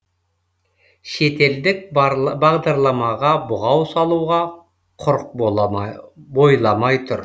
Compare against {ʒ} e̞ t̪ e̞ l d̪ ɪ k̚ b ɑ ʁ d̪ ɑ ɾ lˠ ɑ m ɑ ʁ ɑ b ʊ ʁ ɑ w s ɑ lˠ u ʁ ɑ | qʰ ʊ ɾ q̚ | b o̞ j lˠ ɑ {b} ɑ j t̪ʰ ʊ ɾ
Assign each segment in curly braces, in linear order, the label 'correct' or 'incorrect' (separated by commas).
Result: incorrect, incorrect